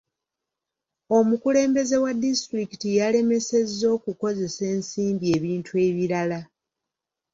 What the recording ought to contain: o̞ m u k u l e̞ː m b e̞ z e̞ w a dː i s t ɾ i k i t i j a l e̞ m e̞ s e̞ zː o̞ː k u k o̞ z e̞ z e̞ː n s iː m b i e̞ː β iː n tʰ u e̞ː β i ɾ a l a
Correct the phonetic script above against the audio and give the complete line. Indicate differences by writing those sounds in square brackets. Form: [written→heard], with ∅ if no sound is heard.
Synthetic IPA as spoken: o̞ m u k u l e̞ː m b e̞ z e̞ w a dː i s t ɾ i k i t i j a l e̞ m e̞ s e̞ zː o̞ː k u k o̞ z e̞ [z→s] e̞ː n s iː m b i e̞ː β iː n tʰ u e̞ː β i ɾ a l a

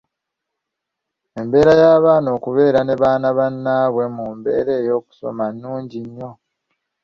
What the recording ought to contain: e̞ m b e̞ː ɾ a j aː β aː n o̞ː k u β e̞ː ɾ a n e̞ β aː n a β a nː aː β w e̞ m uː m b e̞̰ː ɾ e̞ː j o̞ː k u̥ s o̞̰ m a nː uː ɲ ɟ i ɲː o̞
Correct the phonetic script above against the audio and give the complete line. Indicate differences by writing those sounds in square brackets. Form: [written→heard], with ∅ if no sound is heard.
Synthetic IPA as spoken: e̞ m b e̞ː ɾ a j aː β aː n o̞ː k u β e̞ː ɾ a n e̞ β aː n a β a nː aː β w e̞ m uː m b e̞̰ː ɾ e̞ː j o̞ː k u̥ s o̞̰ m a nː uː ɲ ɟ i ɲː o̞

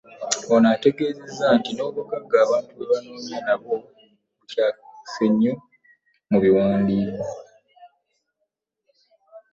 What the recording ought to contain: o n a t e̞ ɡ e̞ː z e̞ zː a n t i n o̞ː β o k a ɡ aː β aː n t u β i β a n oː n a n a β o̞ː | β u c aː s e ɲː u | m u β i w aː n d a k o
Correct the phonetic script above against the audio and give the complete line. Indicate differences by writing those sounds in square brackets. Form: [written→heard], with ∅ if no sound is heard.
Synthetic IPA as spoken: o n a t e̞ ɡ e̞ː z e̞ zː a n t i n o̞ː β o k a ɡ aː β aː n t u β [i→e] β a n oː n a n a β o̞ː | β u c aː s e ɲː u | m u β i w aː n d [a→i] k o

